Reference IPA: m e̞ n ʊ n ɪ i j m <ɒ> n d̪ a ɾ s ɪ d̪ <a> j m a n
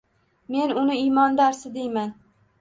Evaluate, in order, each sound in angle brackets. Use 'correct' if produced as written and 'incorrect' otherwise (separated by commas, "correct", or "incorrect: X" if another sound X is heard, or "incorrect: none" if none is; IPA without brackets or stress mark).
correct, incorrect: e